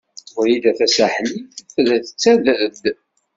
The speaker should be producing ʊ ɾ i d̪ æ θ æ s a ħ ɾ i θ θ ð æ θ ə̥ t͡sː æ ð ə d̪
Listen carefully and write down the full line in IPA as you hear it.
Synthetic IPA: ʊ ɾ i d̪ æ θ æ s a ħ l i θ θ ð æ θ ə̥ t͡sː æ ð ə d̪